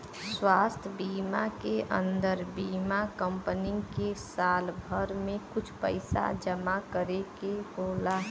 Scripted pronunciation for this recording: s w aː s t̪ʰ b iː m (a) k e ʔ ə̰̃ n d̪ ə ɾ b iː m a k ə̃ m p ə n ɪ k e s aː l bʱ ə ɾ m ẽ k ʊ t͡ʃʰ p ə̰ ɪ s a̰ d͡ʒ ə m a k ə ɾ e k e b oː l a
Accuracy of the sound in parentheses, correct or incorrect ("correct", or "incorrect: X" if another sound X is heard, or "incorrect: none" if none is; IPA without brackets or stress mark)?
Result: correct